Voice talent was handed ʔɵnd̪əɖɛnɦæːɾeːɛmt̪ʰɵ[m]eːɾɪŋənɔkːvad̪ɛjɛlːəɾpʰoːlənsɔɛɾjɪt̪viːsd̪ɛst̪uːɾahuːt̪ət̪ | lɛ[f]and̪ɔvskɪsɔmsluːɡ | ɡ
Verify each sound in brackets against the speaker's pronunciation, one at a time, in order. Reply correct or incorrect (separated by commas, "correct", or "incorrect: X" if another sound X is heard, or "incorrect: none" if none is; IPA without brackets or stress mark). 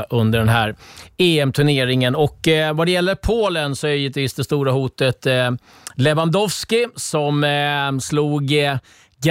incorrect: ɳ, incorrect: v